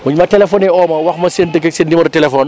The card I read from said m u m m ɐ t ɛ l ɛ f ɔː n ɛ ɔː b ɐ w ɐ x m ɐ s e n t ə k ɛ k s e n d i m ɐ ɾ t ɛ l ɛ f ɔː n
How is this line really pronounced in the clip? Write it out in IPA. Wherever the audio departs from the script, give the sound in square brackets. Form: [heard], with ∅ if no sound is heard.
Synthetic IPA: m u [ɲ] m ɐ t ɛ l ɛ f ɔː n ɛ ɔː [m] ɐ w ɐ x m ɐ s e n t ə k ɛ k s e n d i m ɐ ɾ t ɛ l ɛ f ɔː n